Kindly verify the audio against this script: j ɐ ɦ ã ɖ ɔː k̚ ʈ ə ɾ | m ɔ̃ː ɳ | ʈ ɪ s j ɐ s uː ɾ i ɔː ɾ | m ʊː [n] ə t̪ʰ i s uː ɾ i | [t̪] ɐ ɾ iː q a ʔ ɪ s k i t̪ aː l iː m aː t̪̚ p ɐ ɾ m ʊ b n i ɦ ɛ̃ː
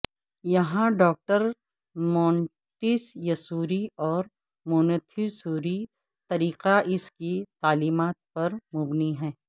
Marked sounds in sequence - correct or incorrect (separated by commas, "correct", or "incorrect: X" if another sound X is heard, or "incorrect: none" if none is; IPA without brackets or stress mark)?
correct, correct